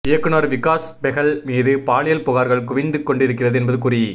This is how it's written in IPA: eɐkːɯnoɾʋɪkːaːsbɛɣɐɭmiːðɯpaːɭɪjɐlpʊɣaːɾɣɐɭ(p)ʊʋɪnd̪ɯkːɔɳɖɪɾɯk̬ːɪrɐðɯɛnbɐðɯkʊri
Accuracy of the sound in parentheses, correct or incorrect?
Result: incorrect: k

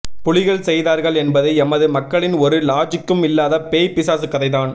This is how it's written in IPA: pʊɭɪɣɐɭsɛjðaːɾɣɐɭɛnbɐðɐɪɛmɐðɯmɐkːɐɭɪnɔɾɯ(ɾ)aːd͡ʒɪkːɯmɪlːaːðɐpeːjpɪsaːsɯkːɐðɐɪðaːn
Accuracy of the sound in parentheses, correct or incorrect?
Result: incorrect: l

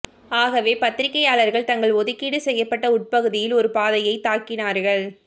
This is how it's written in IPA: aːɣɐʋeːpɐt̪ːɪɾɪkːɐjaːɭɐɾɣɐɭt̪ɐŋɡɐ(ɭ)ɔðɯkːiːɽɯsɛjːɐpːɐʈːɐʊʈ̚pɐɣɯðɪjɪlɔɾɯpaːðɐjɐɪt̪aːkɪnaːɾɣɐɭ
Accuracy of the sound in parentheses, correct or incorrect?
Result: correct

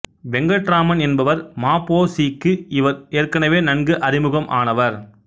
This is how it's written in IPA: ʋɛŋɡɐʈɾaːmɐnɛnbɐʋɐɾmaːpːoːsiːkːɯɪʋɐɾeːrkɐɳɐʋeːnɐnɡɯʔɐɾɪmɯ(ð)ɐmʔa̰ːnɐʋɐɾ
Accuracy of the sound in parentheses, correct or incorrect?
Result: incorrect: ɣ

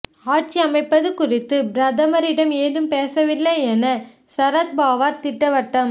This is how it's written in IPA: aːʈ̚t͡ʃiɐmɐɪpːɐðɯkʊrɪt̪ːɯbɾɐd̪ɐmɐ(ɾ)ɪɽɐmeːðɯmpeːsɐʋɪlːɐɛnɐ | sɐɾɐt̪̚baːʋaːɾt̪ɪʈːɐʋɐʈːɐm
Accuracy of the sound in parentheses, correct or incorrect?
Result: correct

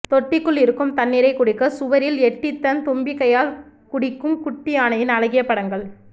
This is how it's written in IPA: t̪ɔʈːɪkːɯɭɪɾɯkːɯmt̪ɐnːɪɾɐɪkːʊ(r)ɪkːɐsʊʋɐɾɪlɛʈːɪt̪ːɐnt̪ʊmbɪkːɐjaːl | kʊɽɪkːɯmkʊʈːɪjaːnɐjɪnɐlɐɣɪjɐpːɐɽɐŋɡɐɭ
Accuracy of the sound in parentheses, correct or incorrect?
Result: incorrect: ɽ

